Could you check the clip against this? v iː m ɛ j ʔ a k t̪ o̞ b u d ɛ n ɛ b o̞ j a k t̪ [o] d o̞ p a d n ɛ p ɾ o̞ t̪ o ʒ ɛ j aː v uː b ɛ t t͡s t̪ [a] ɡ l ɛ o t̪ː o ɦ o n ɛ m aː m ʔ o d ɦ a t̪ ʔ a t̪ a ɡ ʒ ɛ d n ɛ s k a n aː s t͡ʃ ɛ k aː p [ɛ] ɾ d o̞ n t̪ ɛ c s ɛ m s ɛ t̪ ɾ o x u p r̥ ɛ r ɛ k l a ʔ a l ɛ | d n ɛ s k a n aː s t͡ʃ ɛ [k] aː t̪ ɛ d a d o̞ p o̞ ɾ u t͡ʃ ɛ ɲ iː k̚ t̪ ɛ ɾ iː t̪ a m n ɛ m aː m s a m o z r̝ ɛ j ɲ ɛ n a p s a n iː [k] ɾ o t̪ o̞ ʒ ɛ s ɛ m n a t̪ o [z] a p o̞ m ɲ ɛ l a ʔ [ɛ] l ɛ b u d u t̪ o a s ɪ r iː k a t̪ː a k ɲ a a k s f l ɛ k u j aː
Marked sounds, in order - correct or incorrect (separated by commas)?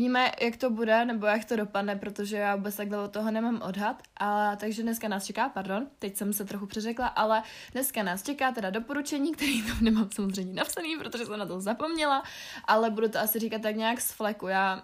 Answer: correct, correct, incorrect, correct, incorrect, correct, incorrect